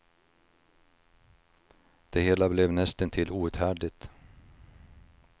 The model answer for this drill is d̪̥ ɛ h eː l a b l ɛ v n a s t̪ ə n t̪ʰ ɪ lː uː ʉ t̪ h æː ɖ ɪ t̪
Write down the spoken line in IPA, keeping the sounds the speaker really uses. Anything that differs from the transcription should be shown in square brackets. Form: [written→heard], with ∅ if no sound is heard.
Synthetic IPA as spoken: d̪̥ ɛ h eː l a b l ɛ v n [a→ɛ] s t̪ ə n t̪ʰ ɪ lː uː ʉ t̪ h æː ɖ ɪ t̪